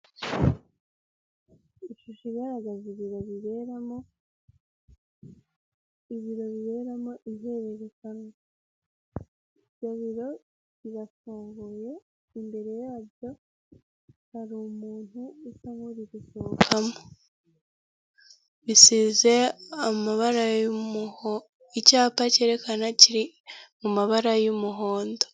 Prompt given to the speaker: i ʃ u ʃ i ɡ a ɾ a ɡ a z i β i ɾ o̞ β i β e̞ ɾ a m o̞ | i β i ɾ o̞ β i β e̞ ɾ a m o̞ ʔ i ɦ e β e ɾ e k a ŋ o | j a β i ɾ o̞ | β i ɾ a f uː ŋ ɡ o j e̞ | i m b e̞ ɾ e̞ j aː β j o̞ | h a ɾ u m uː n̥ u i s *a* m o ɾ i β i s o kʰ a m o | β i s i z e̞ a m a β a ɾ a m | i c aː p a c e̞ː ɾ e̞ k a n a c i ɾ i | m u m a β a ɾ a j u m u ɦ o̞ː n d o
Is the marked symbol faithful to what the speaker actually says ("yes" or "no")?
yes